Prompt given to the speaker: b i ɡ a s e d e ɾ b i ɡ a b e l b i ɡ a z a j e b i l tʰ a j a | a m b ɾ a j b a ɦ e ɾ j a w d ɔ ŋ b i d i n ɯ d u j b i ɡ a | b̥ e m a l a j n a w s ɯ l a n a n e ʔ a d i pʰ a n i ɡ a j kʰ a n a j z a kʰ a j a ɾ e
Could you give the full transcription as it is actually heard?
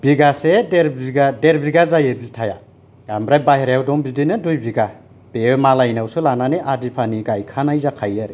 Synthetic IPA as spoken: b i ɡ a s e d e ɾ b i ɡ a d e ɾ b i ɡ a z a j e b i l tʰ a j a | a m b ɾ a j b a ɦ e ɾ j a w d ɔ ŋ b i d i n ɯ d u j b i ɡ a | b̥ e m a l a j n a w s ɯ l a n a n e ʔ a d i pʰ a n i ɡ a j kʰ a n a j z a kʰ a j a ɾ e